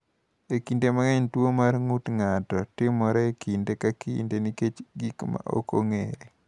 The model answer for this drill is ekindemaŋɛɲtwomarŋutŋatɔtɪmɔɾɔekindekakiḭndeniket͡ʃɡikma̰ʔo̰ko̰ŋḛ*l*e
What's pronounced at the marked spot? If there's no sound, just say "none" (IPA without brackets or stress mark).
ɾ